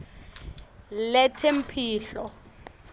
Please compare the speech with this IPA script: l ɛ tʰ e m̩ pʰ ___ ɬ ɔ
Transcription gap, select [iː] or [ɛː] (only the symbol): iː